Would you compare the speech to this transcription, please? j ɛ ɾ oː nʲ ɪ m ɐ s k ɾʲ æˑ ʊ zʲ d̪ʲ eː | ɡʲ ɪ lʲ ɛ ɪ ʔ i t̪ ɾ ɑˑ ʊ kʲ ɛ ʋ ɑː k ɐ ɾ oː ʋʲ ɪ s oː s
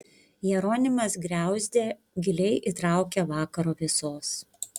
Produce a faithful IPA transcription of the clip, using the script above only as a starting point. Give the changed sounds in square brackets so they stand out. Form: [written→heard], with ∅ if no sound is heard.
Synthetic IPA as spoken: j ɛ ɾ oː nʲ ɪ m ɐ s [k→ɡ] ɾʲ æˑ ʊ zʲ d̪ʲ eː | ɡʲ ɪ lʲ ɛ ɪ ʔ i t̪ ɾ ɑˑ ʊ kʲ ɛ ʋ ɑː k ɐ ɾ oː ʋʲ ɪ s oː s